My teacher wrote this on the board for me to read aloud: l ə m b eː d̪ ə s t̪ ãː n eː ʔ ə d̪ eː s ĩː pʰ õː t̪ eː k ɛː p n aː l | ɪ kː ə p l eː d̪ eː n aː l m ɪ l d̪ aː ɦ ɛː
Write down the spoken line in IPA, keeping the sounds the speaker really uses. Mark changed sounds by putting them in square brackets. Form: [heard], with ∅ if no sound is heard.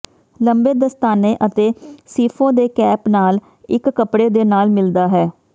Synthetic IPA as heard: l ə m b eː d̪ ə s t̪ [aː] n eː ʔ ə [t̪] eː s [iː] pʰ õː [d̪] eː k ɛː p n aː l | ɪ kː ə p [ɽ] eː d̪ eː n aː l m ɪ l d̪ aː ɦ ɛː